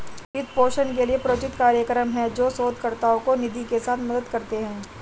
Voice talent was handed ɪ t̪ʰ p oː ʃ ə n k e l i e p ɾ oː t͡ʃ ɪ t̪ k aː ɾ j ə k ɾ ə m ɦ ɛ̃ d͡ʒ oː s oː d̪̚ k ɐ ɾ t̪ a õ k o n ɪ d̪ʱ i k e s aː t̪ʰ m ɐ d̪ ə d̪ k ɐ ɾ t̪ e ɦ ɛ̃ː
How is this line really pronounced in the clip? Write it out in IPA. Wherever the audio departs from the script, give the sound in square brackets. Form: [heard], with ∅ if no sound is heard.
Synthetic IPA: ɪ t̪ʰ p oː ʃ ə n k e l i e p ɾ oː t͡ʃ ɪ t̪ k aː ɾ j ə k ɾ ə m ɦ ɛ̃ d͡ʒ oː s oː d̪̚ k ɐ ɾ t̪ a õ k o n ɪ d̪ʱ i k e s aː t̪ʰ m ɐ d̪ ə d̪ k ɐ ɾ t̪ e ɦ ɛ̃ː